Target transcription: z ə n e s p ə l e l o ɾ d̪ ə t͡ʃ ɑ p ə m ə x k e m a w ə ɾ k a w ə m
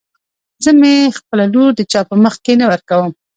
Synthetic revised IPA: z ə m e x p ə l a l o ɾ d̪ ə t͡ʃ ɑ p ə m ə x k e n a w ə ɾ k a w ə m